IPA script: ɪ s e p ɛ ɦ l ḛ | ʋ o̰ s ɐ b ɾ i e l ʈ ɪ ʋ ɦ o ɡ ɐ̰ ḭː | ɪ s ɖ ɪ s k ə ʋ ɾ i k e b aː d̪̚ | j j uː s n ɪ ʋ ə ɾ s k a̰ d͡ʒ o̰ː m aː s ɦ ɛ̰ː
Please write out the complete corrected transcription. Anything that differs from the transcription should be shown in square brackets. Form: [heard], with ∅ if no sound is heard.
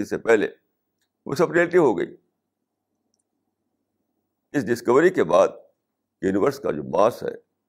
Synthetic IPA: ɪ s e p ɛ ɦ l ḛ | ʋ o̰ s ɐ b ɾ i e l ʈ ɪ ʋ ɦ o ɡ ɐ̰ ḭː | ɪ s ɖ ɪ s k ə ʋ ɾ i k e b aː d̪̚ | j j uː [∅] n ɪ ʋ ə ɾ s k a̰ d͡ʒ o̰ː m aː s ɦ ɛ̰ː